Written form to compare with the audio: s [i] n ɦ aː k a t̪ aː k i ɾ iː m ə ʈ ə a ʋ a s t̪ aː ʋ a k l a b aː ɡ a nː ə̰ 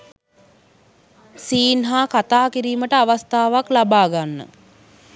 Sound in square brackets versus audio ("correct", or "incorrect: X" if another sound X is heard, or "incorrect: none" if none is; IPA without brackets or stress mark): incorrect: iː